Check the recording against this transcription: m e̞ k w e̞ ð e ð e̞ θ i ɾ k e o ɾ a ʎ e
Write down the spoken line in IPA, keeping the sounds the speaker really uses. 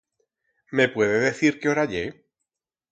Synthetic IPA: m e̞ p w e̞ ð e ð e̞ θ i ɾ k e o ɾ a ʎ e